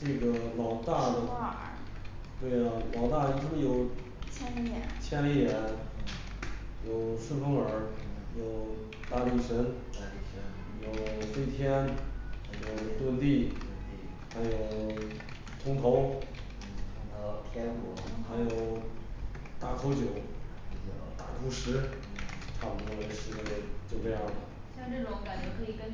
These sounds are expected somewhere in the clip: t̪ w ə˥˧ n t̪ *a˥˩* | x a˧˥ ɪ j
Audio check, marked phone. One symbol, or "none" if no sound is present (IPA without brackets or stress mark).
i˥˩